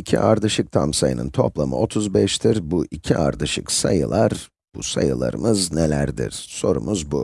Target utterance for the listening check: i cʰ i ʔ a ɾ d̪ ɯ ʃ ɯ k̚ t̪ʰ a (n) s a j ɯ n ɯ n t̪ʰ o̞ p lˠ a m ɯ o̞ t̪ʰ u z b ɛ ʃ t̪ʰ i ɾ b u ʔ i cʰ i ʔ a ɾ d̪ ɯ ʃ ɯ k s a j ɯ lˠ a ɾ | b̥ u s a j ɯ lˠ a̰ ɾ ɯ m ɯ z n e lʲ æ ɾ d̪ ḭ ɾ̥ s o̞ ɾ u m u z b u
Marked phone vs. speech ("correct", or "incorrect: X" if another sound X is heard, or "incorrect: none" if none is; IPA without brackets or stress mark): incorrect: m